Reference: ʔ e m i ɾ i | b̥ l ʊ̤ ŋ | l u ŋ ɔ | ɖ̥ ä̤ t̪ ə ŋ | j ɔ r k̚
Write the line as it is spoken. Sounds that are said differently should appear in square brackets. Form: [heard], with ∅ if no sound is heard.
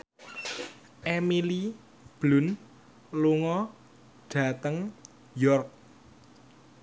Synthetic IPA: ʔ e m i [l] i | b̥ l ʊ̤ [n] | l u ŋ ɔ | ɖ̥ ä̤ t̪ ə ŋ | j ɔ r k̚